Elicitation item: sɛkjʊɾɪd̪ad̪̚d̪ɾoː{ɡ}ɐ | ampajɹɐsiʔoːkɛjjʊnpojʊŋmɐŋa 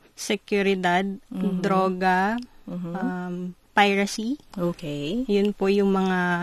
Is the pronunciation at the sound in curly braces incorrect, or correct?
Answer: correct